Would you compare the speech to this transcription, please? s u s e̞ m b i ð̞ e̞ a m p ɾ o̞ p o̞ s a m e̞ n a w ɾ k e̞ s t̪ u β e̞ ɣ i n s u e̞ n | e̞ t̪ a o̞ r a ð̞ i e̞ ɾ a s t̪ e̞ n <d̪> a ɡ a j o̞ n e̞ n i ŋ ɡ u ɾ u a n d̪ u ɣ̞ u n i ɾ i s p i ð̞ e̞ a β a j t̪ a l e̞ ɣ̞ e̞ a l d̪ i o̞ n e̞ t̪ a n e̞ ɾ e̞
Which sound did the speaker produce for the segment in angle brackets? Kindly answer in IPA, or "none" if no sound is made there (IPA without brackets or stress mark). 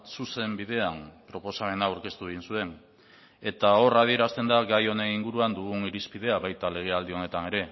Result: d̪